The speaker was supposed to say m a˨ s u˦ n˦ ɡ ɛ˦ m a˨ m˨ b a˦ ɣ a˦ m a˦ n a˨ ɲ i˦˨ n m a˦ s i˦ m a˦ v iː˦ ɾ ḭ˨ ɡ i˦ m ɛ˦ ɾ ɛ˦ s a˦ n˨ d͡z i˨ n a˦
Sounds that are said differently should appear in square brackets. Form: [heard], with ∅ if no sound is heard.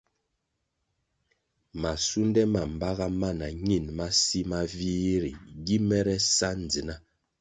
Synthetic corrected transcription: m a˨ s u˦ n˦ [d] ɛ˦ m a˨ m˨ b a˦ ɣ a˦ m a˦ n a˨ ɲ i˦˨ n m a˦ s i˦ m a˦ v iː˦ ɾ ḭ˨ ɡ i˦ m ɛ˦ ɾ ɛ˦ s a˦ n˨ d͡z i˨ n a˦

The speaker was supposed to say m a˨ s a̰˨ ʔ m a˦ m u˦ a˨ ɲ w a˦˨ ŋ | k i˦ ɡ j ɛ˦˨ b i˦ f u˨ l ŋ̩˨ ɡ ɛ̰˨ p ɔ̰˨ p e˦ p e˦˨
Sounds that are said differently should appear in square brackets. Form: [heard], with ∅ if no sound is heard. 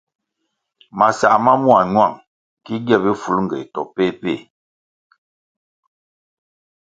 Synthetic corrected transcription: m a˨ s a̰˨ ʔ m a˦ m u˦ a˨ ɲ w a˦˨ ŋ | k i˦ ɡ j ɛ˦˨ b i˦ f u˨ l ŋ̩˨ ɡ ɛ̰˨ [t] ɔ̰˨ p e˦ p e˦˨

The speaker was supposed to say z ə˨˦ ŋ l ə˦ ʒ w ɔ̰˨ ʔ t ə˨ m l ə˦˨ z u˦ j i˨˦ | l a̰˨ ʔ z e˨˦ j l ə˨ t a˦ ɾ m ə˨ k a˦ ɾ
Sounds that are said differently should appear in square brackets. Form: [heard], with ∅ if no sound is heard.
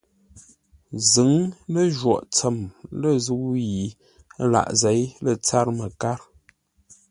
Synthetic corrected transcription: z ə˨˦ ŋ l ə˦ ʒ w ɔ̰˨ ʔ [t͡s] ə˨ m l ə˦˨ z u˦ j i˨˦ | l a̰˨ ʔ z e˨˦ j l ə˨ [t͡s] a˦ ɾ m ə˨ k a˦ ɾ

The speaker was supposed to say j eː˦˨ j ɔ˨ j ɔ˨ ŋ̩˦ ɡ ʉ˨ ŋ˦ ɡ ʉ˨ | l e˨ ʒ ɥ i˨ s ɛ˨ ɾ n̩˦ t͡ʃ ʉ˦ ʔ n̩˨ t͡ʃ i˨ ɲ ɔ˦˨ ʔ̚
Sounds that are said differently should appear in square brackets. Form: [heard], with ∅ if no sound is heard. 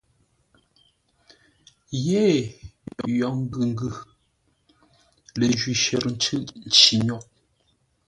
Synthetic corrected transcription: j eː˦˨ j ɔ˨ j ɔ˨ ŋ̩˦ ɡ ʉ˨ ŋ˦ ɡ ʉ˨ | l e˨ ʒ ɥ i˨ [ʃ] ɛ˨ ɾ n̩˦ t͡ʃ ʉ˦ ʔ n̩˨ t͡ʃ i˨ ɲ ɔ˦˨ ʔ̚

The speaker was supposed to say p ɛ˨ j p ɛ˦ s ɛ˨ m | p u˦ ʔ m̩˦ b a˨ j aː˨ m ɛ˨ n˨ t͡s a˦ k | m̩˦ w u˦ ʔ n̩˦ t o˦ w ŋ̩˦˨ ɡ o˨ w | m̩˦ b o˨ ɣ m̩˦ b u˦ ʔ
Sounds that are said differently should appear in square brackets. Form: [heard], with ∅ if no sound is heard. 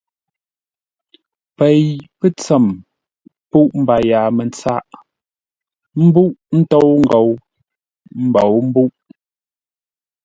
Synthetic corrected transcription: p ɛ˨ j p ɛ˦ [t͡s] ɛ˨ m | p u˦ ʔ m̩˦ b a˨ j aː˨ m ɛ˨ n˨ t͡s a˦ [ʔ] | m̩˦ [b] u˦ ʔ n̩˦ t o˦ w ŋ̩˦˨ ɡ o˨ w | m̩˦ b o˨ [w] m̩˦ b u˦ ʔ

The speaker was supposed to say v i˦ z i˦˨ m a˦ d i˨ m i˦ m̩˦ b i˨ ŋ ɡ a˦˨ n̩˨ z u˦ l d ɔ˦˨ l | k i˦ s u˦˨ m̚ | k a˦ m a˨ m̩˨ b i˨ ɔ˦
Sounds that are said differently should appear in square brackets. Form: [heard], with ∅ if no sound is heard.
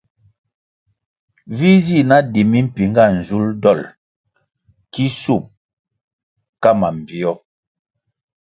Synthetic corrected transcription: v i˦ z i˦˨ [n] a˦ d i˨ m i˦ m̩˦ [p] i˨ ŋ ɡ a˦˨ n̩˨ z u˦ l d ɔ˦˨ l | k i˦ s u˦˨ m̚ | k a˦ m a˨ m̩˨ b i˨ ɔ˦

